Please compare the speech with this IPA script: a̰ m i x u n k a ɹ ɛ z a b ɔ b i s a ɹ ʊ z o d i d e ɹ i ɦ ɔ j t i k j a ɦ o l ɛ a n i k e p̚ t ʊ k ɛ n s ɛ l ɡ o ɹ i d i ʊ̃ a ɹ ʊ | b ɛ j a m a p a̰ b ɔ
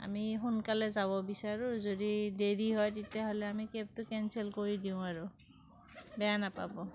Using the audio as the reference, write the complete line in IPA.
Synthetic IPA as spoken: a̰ m i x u n k a l ɛ z a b ɔ b i s a ɹ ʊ z o d i d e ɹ i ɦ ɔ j t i t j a ɦ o l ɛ a m i k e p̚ t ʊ k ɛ n s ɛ l k o ɹ i d i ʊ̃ a ɹ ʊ | b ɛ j a n a p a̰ b ɔ